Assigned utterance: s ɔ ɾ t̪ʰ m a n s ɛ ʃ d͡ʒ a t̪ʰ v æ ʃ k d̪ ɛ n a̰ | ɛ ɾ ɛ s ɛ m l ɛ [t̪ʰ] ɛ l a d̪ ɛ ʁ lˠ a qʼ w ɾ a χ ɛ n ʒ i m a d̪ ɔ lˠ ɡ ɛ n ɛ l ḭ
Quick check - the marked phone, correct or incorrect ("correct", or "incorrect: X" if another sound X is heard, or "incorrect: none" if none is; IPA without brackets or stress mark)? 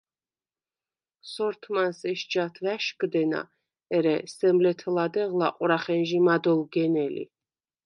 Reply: correct